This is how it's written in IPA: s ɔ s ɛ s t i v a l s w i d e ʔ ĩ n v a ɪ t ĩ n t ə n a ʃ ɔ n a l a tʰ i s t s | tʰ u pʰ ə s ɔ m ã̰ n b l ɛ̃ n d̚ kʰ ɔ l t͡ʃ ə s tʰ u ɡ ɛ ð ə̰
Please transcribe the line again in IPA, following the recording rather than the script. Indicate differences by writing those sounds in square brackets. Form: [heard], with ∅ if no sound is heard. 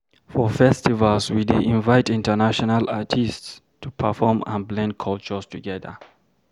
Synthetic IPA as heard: [f] ɔ [f] ɛ s t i v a l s w i d e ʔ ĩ n v a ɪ t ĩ n t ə n a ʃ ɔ n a l a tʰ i s t s | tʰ u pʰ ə [f] ɔ m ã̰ n b l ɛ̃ n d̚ kʰ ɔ l t͡ʃ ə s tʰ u ɡ ɛ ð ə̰